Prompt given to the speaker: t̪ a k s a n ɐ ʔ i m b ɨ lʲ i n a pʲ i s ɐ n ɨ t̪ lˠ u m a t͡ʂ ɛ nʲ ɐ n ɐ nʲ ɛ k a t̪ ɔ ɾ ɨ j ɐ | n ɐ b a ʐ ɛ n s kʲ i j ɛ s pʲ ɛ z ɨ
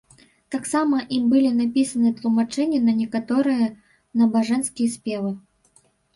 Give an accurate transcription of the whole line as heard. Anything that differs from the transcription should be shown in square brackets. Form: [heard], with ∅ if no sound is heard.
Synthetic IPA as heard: t̪ a k s a [m] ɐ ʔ i m b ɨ lʲ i n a pʲ i s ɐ n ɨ t̪ lˠ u m a t͡ʂ ɛ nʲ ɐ n ɐ nʲ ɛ k a t̪ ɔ ɾ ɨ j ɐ | n ɐ b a ʐ ɛ n s kʲ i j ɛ s pʲ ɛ [v] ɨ

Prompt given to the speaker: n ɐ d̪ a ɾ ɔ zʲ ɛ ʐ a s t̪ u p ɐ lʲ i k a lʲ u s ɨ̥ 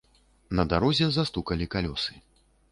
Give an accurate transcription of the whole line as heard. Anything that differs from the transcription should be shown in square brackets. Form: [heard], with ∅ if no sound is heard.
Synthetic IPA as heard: n ɐ d̪ a ɾ ɔ zʲ ɛ [z] a s t̪ u [k] ɐ lʲ i k a lʲ [ɔ] s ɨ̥

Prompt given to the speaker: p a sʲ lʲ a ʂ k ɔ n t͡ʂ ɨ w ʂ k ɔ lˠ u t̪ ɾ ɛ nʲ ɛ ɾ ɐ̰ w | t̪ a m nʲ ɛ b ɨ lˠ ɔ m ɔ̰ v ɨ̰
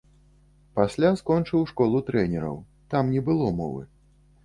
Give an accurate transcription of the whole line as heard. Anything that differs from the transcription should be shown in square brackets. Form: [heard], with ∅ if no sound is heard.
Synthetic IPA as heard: p a sʲ lʲ a [s] k ɔ n t͡ʂ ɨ w ʂ k ɔ lˠ u t̪ ɾ ɛ nʲ ɛ ɾ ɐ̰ w | t̪ a m nʲ ɛ b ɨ lˠ ɔ m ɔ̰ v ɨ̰

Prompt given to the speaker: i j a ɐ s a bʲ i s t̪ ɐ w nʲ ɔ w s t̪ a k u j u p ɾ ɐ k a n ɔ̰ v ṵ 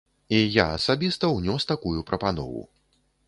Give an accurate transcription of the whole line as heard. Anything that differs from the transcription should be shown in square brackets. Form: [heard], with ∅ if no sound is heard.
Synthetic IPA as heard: i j a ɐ s a bʲ i s t̪ ɐ w nʲ ɔ [∅] s t̪ a k u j u p ɾ ɐ [p] a n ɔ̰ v ṵ

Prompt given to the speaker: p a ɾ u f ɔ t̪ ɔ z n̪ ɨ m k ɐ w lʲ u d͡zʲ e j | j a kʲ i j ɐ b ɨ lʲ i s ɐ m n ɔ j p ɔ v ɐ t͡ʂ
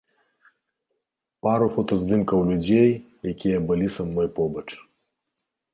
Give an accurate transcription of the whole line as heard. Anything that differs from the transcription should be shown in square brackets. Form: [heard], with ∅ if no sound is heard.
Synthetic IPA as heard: p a ɾ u f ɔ t̪ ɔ z [d̪] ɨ m k ɐ w lʲ u d͡zʲ e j | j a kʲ i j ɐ b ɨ lʲ i s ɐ m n ɔ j p ɔ [b] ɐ t͡ʂ

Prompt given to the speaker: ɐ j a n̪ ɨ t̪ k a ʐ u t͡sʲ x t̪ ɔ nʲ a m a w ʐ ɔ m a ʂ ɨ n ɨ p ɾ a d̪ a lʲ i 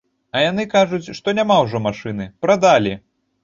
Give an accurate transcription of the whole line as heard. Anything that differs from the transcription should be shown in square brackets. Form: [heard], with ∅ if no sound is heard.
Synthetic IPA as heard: ɐ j a n̪ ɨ [∅] k a ʐ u t͡sʲ [ʂ] t̪ ɔ nʲ a m a w ʐ ɔ m a ʂ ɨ n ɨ p ɾ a d̪ a lʲ i

